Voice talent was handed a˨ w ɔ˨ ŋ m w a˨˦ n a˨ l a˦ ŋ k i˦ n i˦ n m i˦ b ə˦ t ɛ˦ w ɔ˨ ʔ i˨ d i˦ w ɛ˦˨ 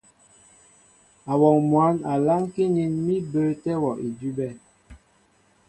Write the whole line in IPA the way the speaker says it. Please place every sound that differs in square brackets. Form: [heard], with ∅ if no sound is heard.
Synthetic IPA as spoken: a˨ w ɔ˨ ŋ m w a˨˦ n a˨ l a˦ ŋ k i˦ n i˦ n m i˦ b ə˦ t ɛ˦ w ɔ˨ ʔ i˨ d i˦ [b] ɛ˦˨